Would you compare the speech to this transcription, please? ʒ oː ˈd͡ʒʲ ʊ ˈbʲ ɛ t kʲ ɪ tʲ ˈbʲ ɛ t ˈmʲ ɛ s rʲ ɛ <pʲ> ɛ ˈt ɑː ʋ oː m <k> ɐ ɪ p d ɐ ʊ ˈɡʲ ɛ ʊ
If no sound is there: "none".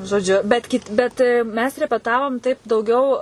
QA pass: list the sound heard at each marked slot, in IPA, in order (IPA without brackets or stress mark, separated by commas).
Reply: pʲ, t